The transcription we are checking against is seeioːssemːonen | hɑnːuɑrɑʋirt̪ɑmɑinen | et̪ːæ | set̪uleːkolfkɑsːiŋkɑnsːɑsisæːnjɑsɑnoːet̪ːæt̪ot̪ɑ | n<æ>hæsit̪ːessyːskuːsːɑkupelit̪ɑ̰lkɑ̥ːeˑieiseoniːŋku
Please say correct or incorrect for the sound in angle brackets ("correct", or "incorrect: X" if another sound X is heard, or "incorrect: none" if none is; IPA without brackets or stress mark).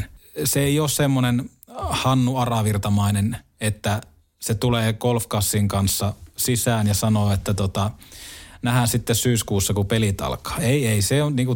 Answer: correct